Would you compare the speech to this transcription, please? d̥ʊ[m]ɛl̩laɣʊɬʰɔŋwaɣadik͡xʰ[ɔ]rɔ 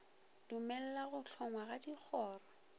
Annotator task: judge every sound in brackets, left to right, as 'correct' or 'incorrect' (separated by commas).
correct, incorrect